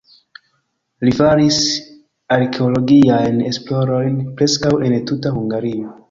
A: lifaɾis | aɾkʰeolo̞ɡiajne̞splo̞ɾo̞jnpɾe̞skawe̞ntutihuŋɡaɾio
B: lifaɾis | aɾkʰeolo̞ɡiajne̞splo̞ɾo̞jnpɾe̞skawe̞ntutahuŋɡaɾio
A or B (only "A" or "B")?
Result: B